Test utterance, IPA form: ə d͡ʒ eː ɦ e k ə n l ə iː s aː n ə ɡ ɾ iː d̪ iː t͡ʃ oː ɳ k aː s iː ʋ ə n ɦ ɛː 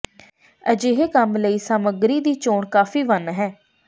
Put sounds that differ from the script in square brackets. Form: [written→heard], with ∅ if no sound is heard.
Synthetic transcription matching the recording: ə d͡ʒ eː ɦ e k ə [n→m] l ə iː s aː [n→m] ə ɡ ɾ iː d̪ iː t͡ʃ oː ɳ k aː [s→f] iː ʋ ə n ɦ ɛː